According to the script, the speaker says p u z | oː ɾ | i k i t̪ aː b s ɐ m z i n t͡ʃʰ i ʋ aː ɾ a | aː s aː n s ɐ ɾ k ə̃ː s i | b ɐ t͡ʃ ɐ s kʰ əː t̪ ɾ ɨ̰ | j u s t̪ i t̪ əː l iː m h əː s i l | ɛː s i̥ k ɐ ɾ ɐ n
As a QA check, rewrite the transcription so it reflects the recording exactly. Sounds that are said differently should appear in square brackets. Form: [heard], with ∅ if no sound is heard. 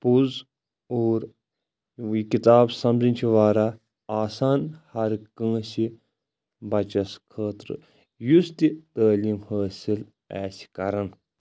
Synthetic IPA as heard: p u z | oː ɾ | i k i t̪ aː b s ɐ m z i n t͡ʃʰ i ʋ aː ɾ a | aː s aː n [h] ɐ ɾ k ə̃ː s i | b ɐ t͡ʃ ɐ s kʰ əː t̪ ɾ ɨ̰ | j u s t̪ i t̪ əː l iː m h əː s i l | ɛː s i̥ k ɐ ɾ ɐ n